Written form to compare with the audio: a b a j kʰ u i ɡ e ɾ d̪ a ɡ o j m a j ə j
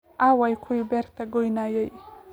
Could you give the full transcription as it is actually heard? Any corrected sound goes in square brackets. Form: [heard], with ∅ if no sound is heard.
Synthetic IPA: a [w] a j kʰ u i [b] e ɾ [t̪] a ɡ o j [n] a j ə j